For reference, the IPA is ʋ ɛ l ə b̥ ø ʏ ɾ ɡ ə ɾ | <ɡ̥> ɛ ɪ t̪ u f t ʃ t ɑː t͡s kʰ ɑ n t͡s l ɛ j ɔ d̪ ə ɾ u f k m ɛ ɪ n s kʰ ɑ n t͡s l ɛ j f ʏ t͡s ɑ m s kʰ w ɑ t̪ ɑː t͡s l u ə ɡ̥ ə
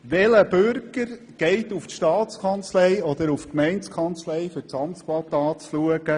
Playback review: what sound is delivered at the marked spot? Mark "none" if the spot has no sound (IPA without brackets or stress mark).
ɡ̥